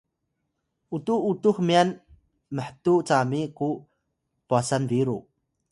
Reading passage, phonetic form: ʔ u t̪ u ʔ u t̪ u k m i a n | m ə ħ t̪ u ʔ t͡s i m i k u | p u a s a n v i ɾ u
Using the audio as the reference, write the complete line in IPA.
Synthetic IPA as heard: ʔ u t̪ u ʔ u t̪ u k m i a n | m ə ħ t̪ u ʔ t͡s a m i k u | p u a s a n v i ɾ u